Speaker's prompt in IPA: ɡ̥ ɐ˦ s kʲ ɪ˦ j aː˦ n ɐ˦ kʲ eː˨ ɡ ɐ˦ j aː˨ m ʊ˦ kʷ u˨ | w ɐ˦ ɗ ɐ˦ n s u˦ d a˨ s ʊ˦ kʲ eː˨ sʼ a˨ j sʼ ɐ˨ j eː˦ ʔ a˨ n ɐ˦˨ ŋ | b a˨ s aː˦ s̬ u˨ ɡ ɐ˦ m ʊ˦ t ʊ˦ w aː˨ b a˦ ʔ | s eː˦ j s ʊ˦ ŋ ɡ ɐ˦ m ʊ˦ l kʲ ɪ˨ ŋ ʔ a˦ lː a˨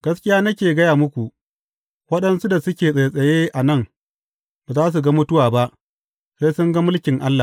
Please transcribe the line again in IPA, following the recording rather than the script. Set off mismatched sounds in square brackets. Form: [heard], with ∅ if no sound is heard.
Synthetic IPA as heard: ɡ̥ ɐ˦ s kʲ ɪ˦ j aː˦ n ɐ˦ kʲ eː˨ ɡ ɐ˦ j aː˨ m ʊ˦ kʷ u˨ | w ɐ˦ ɗ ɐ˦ n s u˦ d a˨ s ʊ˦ kʲ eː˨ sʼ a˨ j sʼ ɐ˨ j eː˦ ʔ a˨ n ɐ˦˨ ŋ | b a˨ [z] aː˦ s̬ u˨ ɡ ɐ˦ m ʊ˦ t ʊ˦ w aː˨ b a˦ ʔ | s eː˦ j s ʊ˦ ŋ ɡ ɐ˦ m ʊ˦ l kʲ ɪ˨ ŋ ʔ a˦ lː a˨